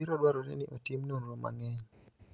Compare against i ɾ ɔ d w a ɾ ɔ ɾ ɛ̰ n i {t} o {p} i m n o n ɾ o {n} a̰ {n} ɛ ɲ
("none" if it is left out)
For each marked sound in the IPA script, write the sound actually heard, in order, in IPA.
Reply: ʔ, t, m, ŋ

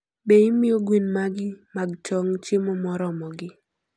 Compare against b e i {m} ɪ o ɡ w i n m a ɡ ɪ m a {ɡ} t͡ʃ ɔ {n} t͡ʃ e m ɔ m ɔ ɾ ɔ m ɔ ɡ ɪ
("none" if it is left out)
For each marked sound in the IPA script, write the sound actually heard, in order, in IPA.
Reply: m, ɡ, ŋ

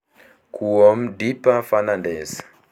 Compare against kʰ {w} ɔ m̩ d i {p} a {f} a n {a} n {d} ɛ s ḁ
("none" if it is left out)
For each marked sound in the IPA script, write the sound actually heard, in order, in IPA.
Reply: u, p, f, a, d

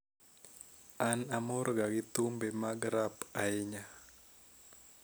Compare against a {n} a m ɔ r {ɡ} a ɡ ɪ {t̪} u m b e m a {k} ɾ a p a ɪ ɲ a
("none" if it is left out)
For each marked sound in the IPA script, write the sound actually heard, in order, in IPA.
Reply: n, ɡ, t̪, ɡ

